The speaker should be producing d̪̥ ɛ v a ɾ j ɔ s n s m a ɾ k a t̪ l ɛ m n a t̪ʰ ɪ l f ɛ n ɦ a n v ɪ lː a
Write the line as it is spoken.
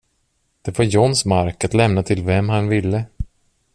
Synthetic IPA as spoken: d̪̥ ɛ v a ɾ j ɔ n s m a ɾ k a t̪ l ɛ m n a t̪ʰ ɪ l v ɛ m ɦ a n v ɪ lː ə